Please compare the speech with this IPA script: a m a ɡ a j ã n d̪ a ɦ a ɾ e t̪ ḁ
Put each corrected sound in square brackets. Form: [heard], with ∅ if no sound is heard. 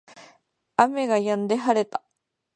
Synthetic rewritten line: a m [e] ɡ a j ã n d̪ [e] ɦ a ɾ e t̪ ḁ